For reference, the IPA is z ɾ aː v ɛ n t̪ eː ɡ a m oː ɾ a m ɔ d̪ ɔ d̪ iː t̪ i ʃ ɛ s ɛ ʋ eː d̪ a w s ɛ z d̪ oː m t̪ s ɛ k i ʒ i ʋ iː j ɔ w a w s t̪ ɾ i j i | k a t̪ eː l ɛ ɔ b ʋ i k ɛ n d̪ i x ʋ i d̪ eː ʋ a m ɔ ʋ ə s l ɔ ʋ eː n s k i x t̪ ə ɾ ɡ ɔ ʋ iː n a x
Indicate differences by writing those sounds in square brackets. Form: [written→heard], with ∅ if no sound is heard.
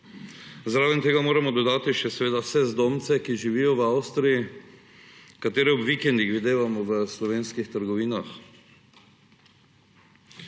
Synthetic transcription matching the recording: z ɾ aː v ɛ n t̪ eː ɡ a m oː ɾ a m ɔ d̪ ɔ d̪ [iː→aː] t̪ i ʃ ɛ s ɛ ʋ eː d̪ a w s ɛ z d̪ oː m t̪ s ɛ k i ʒ i ʋ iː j ɔ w a w s t̪ ɾ i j i | k a t̪ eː [l→ɾ] ɛ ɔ b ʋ i k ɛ n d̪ i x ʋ i d̪ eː ʋ a m ɔ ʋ ə s l ɔ ʋ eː n s k i x t̪ ə ɾ ɡ ɔ ʋ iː n a x